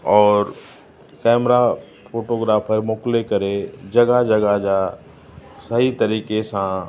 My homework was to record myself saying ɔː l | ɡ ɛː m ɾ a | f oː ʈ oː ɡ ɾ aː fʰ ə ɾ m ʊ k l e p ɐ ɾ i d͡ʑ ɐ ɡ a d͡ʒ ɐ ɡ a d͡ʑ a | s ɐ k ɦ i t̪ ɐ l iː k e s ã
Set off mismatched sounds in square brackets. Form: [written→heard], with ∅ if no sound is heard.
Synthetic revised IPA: ɔː [l→ɾ] | [ɡ→k] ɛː m ɾ a | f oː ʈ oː ɡ ɾ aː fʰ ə ɾ m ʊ k l e [p→k] ɐ ɾ [i→e] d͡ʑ ɐ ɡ a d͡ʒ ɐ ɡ a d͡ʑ a | s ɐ [k→∅] ɦ i t̪ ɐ [l→ɾ] iː k e s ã